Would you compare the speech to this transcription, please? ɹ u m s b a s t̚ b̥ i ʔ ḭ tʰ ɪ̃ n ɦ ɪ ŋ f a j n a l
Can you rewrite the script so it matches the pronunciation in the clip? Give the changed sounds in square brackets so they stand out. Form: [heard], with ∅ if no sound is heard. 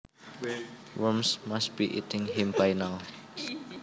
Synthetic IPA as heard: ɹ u m s [m] a s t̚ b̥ i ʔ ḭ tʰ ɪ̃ [ŋ] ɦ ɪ [m] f a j n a l